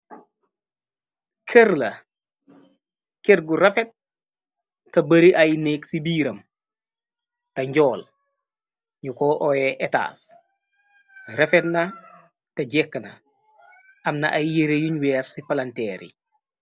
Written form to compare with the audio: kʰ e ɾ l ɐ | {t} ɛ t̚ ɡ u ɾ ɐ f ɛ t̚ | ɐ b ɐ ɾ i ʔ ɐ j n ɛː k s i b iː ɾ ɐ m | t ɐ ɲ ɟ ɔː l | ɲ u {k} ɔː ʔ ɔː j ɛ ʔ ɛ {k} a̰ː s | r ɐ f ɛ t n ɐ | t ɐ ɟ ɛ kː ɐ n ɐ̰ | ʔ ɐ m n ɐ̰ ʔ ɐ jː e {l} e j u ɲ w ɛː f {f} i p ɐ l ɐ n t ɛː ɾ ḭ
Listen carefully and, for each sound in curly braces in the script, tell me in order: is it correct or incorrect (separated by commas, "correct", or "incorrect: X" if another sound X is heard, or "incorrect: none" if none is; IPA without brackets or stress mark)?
incorrect: k, correct, incorrect: t, incorrect: ɾ, incorrect: s